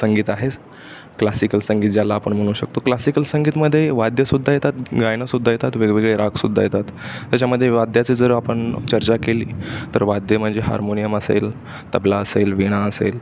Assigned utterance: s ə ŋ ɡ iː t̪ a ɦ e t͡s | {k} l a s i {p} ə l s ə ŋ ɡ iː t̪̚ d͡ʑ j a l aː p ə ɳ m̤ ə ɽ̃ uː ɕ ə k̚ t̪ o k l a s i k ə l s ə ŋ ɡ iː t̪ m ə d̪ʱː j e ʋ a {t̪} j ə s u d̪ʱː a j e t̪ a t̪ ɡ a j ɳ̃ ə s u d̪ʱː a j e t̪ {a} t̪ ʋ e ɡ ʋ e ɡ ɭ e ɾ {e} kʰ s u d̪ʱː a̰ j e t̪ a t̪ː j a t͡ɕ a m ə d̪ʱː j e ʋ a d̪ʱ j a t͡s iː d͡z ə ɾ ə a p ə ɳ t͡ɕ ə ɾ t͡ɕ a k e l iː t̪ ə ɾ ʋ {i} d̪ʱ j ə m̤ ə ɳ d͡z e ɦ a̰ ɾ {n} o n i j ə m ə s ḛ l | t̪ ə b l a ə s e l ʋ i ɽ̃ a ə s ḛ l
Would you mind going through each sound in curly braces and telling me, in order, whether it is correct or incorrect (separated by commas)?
correct, incorrect, incorrect, correct, incorrect, incorrect, incorrect